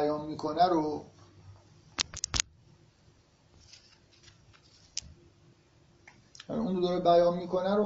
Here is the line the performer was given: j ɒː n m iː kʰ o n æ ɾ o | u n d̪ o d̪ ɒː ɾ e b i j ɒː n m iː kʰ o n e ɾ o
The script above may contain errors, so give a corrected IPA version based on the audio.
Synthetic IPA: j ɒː n m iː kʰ o n æ ɾ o | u n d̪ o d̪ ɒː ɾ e b æ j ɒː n m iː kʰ o n æ ɾ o